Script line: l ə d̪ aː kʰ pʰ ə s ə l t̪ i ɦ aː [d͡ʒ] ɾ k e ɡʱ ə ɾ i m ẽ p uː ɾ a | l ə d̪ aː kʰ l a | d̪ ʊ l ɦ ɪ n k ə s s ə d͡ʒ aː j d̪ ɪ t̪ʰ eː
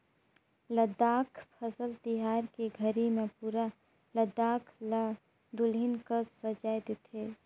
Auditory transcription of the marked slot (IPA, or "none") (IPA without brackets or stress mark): none